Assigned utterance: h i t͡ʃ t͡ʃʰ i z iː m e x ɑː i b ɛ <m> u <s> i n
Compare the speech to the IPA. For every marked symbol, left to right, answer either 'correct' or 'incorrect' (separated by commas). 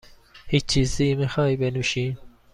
incorrect, incorrect